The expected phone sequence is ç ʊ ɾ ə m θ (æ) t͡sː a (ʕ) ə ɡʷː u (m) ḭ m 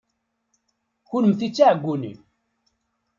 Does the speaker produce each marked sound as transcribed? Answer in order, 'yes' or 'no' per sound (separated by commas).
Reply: no, yes, no